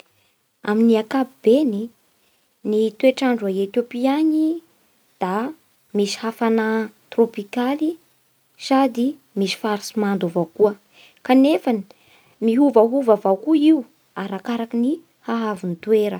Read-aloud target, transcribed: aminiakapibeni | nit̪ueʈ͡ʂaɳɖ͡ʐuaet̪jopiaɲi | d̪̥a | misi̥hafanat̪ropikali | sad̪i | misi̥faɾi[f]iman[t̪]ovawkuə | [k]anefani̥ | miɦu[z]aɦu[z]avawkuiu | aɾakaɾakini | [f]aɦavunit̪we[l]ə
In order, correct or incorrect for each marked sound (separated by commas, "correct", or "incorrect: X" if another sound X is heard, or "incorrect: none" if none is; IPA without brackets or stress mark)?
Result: incorrect: s, incorrect: d̪, correct, incorrect: v, incorrect: v, incorrect: h, incorrect: ɾ